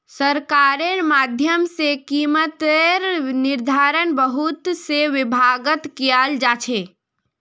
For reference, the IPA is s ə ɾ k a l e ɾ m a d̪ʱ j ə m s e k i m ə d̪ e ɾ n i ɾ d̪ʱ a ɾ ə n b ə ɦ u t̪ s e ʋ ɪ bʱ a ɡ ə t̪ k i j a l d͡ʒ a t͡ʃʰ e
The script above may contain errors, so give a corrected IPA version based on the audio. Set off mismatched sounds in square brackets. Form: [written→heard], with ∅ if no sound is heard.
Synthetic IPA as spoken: s ə ɾ k a [l→ɾ] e ɾ m a d̪ʱ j ə m s e k i m ə [d̪→t̪] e ɾ n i ɾ d̪ʱ a ɾ ə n b ə ɦ u t̪ s e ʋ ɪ bʱ a ɡ ə t̪ k i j a l d͡ʒ a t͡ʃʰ e

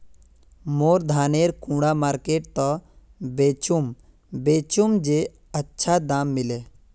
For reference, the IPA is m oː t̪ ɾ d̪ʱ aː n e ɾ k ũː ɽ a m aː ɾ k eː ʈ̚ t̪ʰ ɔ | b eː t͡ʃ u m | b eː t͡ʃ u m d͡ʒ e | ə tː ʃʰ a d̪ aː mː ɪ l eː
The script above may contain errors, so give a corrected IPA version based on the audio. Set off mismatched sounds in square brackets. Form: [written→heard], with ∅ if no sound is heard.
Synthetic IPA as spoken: m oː [t̪→∅] ɾ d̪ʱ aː n e ɾ k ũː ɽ a m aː ɾ k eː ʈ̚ [t̪ʰ→t̪] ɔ | b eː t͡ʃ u m | b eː t͡ʃ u m d͡ʒ e | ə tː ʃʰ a d̪ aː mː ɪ l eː

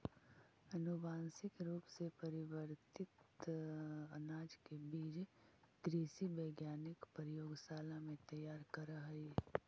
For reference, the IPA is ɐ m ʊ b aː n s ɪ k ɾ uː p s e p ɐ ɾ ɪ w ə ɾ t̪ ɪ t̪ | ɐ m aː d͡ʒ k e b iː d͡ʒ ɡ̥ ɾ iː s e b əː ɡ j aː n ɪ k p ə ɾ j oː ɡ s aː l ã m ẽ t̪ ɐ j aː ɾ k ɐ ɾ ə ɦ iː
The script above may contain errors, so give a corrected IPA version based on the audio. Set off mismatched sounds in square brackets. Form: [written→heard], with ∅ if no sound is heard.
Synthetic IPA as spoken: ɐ [m→n] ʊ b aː n s ɪ k ɾ uː p s e p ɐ ɾ ɪ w ə ɾ t̪ ɪ t̪ | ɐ [m→n] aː d͡ʒ k e b iː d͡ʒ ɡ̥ ɾ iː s [e→i] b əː ɡ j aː n ɪ k p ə ɾ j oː ɡ s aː l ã m ẽ t̪ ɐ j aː ɾ k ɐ ɾ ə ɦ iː

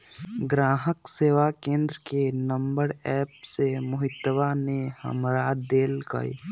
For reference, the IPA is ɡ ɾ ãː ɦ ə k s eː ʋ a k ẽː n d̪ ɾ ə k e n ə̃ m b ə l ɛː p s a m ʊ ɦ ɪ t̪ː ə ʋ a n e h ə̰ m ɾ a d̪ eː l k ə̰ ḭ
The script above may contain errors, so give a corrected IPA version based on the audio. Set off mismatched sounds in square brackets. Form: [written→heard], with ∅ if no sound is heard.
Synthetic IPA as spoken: ɡ ɾ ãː ɦ ə k s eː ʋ a k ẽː n d̪ ɾ ə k e n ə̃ m b ə [l→ɾ] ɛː p s [a→e] m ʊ ɦ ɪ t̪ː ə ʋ a n e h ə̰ m ɾ a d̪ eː l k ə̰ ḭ

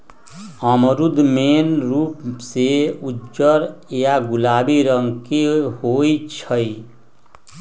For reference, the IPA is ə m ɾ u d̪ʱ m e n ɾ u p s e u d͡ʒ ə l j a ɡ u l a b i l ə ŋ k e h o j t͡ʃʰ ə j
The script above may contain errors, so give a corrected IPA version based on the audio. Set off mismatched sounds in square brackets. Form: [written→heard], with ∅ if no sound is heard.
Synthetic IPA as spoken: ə m ɾ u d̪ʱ m e n ɾ u p s e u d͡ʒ ə [l→ɾ] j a ɡ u l a b i [l→ɾ] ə ŋ k e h o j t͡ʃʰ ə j

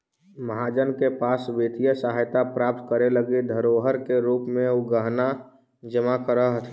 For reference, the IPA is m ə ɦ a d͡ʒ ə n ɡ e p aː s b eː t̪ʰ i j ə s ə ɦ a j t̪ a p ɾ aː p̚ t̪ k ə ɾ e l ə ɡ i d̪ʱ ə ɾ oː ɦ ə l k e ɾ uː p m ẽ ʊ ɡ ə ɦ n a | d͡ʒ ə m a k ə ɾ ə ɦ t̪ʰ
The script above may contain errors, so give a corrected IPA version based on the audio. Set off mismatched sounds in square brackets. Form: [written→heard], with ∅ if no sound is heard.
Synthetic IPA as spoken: m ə ɦ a d͡ʒ ə n [ɡ→k] e p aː s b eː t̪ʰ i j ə s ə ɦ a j t̪ a p ɾ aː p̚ t̪ k ə ɾ e l ə ɡ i d̪ʱ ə ɾ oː ɦ ə [l→ɾ] k e ɾ uː p m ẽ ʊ ɡ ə ɦ n a | d͡ʒ ə m a k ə ɾ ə ɦ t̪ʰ

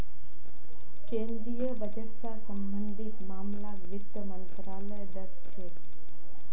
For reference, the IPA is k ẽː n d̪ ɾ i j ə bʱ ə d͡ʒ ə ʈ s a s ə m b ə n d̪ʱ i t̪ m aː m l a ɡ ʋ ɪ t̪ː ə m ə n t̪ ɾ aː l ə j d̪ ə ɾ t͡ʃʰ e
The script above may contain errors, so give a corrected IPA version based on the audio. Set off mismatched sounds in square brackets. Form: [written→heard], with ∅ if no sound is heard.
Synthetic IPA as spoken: k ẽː n d̪ ɾ i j ə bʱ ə d͡ʒ ə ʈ s a s ə m b ə n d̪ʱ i t̪ m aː m l a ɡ ʋ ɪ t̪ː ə m ə n t̪ ɾ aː l ə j d̪ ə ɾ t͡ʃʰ e

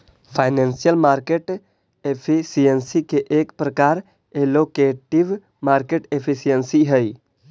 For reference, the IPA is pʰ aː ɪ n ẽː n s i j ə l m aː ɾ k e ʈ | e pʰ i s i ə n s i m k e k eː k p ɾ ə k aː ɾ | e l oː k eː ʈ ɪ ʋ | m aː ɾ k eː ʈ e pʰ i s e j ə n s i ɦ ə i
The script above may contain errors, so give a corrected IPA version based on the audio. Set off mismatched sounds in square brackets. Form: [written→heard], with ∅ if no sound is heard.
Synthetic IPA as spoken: pʰ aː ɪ n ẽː n s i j ə l m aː ɾ k e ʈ | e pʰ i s i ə n s i [m→∅] k e [k→ʔ] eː k p ɾ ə k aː ɾ | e l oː k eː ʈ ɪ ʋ | m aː ɾ k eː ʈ e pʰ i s [e→i] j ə n s i ɦ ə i

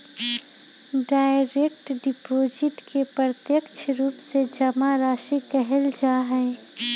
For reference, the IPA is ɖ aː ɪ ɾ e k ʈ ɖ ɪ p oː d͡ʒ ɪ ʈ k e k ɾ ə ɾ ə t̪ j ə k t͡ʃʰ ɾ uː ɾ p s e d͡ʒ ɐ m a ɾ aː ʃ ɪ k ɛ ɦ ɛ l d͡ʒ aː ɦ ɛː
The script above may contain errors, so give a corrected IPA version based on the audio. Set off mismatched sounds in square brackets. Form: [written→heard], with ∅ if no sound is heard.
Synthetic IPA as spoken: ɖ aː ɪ ɾ e k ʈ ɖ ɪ p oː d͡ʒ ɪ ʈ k e [k→p] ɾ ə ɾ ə t̪ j ə k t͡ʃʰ ɾ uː [ɾ→∅] p s e d͡ʒ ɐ m a ɾ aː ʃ [ɪ→i] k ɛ ɦ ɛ l d͡ʒ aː ɦ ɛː

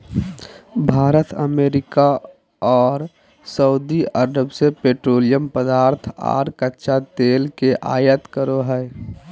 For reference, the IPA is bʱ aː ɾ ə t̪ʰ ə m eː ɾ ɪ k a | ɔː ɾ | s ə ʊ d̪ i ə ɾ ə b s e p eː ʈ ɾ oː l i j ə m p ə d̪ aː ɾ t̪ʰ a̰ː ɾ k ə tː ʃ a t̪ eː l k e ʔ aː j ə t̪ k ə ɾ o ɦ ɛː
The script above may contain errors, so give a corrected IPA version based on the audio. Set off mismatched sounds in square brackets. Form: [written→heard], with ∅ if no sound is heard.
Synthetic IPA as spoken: bʱ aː ɾ ə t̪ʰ ə m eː ɾ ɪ k a | ɔː ɾ | s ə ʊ d̪ i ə ɾ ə b s e p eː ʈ ɾ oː l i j ə m p ə d̪ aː ɾ t̪ʰ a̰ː ɾ k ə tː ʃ a t̪ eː l k e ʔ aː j ə t̪ k ə ɾ o ɦ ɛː

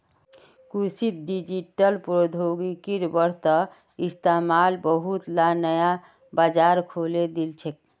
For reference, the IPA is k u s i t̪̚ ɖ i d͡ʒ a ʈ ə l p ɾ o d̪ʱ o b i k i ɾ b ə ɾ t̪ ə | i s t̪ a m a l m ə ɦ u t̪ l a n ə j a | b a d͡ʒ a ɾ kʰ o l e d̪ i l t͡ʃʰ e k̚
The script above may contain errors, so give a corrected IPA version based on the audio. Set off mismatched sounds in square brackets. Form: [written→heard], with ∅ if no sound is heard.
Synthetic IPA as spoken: k u s i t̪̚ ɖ i d͡ʒ [a→i] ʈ ə l p ɾ o d̪ʱ o [b→ɡ] i k i ɾ b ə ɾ t̪ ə | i s t̪ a m a l [m→b] ə ɦ u t̪ l a n ə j a | b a d͡ʒ a ɾ kʰ o l e d̪ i l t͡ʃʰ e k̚

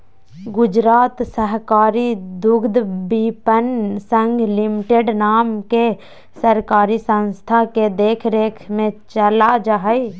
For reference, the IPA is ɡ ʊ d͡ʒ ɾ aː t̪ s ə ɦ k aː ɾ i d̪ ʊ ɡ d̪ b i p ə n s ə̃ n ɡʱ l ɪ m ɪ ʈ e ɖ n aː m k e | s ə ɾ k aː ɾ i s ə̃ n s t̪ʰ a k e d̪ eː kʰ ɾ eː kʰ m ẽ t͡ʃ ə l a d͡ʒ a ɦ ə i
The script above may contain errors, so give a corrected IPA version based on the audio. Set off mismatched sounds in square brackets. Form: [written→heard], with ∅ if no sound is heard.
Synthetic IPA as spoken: ɡ ʊ d͡ʒ ɾ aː t̪ s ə ɦ k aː ɾ i d̪ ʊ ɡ d̪ b i p ə n s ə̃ [n→ŋ] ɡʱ l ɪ m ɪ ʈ e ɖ n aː m k e | s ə ɾ k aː ɾ i s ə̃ n s t̪ʰ a k e d̪ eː kʰ ɾ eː kʰ m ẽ t͡ʃ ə l a d͡ʒ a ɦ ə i

